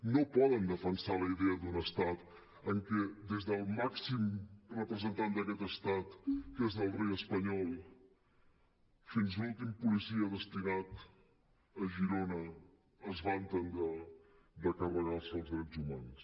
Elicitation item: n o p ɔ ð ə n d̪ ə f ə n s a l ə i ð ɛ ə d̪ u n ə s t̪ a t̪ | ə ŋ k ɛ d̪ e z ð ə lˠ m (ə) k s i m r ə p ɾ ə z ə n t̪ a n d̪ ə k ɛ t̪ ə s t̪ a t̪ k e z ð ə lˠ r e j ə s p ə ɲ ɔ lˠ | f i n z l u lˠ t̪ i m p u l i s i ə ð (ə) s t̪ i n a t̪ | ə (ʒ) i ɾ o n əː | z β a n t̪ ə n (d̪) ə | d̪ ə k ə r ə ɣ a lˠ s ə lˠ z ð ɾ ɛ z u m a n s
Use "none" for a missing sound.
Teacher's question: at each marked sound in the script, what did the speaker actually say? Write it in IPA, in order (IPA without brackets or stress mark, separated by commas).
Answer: a, ə, ʒ, d̪